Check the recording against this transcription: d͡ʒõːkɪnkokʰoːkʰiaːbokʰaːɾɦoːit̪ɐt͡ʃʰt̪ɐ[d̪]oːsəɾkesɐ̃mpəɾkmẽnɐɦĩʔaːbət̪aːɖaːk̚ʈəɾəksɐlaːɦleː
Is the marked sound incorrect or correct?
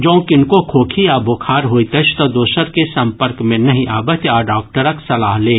correct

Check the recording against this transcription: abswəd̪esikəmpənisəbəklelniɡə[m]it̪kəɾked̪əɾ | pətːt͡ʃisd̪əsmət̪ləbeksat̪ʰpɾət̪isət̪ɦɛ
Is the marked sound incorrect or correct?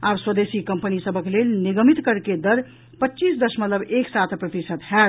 correct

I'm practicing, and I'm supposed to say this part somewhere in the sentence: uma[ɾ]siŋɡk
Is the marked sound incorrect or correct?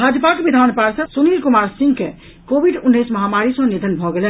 correct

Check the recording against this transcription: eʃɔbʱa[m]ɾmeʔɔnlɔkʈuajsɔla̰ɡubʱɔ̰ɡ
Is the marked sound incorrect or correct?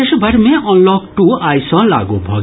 incorrect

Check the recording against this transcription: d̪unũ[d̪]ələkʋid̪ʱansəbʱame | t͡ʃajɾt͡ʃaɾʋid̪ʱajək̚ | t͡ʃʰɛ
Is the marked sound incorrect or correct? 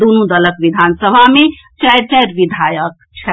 correct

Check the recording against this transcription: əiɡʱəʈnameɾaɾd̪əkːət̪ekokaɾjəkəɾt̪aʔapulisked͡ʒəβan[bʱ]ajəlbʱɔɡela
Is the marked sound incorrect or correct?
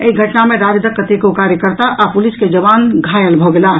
incorrect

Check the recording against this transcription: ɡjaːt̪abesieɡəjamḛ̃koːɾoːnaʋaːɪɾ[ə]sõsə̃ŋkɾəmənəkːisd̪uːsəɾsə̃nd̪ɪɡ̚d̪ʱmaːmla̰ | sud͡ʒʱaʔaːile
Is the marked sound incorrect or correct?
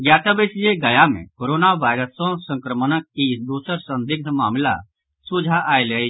correct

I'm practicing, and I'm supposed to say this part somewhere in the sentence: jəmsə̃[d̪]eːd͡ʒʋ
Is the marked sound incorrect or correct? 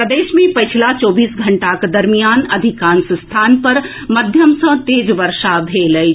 incorrect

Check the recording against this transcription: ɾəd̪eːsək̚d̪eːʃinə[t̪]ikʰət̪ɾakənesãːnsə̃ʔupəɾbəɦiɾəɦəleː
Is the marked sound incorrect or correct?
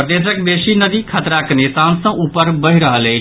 incorrect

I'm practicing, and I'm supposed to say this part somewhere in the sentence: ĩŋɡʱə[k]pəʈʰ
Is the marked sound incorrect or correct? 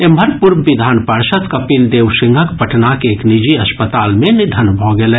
correct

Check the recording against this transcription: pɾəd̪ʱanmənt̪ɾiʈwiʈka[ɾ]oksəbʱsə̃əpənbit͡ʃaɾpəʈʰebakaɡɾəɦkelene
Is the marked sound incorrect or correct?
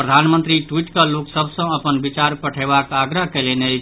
incorrect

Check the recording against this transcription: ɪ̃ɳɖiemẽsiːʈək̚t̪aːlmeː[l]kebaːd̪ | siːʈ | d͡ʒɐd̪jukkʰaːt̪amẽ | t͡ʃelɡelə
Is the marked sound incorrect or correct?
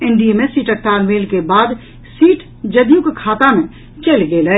correct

